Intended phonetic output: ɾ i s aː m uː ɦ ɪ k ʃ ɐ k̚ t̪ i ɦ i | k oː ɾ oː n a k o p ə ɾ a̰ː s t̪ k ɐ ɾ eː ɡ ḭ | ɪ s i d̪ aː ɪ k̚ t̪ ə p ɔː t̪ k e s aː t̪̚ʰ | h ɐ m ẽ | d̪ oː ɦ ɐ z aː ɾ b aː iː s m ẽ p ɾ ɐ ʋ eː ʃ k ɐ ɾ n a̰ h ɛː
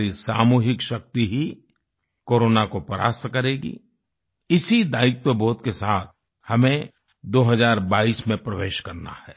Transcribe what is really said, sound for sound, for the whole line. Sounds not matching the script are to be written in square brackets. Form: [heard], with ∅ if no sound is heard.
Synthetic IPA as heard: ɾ i s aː m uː ɦ ɪ k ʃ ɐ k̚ t̪ i ɦ i | k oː ɾ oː n a k o p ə ɾ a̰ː s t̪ k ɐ ɾ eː ɡ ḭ | ɪ s i d̪ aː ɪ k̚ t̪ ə [b] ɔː t̪ k e s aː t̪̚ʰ | h ɐ m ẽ | d̪ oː ɦ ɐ z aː ɾ b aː iː s m ẽ p ɾ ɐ ʋ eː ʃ k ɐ ɾ n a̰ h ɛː